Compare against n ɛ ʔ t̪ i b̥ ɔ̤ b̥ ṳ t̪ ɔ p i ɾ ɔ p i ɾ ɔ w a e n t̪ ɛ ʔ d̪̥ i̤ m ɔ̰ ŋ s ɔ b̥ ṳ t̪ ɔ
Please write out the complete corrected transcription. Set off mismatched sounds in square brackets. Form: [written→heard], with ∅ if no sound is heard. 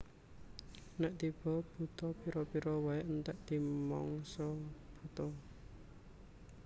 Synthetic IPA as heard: n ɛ ʔ t̪ i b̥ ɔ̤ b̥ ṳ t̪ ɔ p i ɾ ɔ p i ɾ ɔ w a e n t̪ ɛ ʔ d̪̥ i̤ m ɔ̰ ŋ s ɔ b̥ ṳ t̪ ɔ